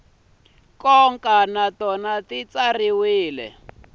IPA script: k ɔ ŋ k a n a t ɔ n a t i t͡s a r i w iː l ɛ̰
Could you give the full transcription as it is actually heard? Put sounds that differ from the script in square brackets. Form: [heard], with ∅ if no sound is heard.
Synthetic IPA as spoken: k ɔ ŋ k a n a t ɔ n a t i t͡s a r i w iː l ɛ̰